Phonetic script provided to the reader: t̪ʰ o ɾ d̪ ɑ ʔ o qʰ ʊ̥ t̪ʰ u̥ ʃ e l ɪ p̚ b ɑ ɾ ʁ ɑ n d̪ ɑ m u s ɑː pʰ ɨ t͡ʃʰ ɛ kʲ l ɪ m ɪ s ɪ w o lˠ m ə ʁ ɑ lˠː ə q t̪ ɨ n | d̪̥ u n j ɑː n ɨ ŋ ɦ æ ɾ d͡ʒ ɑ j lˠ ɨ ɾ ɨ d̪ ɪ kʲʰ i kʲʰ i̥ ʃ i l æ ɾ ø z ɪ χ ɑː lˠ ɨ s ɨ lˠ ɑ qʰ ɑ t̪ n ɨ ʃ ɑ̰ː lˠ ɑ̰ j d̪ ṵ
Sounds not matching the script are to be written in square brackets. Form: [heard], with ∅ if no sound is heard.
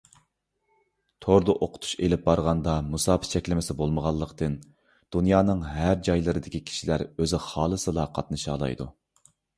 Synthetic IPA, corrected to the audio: t̪ʰ o ɾ d̪ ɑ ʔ o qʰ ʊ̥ t̪ʰ u̥ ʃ e l ɪ p̚ b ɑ ɾ ʁ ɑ n d̪ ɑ m u s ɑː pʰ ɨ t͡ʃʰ ɛ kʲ l ɪ m ɪ s ɪ [b] o lˠ m ə ʁ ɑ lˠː ə q t̪ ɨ n | d̪̥ u n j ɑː n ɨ ŋ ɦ æ ɾ d͡ʒ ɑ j lˠ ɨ ɾ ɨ d̪ ɪ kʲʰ i kʲʰ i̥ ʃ i l æ ɾ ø z ɪ χ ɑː lˠ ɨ s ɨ lˠ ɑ qʰ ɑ t̪ n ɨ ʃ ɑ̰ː lˠ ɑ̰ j d̪ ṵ